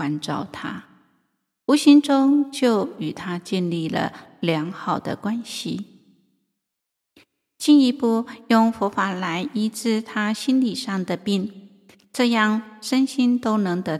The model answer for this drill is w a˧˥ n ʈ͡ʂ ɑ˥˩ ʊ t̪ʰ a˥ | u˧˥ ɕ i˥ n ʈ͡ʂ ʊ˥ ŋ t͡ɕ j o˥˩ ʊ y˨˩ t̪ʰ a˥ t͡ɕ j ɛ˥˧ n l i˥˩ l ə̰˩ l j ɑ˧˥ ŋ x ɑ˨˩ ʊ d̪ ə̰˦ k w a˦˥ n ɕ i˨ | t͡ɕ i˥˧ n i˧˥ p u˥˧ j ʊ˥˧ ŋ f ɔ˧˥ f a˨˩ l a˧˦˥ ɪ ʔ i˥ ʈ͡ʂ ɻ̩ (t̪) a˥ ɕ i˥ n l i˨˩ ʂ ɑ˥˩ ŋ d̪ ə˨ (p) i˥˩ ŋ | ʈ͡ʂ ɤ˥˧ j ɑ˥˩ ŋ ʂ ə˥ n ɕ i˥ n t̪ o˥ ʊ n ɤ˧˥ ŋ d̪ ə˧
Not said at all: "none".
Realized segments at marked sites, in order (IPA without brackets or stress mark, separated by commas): t̪ʰ, p